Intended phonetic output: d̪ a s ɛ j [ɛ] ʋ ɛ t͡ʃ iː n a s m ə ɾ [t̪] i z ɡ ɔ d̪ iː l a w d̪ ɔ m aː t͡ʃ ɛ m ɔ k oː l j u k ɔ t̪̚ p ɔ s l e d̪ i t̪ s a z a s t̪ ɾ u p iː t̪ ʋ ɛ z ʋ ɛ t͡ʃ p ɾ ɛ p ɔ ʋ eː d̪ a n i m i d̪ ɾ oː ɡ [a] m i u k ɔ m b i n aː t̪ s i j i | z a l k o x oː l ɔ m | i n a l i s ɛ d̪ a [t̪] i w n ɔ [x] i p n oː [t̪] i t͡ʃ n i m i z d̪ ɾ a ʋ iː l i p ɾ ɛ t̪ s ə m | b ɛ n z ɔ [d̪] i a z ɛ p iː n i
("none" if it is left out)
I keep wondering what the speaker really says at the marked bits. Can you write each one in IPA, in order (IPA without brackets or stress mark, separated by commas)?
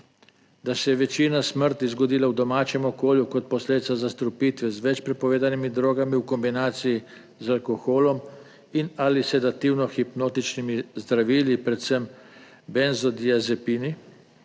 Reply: ɛ, t̪, a, t̪, x, t̪, d̪